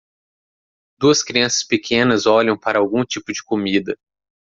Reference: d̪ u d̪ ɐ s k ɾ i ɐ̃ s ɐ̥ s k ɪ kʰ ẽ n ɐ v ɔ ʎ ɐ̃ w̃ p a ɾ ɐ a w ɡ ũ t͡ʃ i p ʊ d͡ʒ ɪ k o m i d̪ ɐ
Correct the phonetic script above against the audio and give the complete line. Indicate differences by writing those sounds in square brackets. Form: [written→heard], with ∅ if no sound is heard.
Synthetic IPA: d̪ u [d̪→∅] ɐ s k ɾ i ɐ̃ s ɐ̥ s [k→p] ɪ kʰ ẽ n ɐ [v→z] ɔ ʎ ɐ̃ w̃ p a ɾ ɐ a w ɡ ũ t͡ʃ i p ʊ d͡ʒ ɪ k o m i d̪ ɐ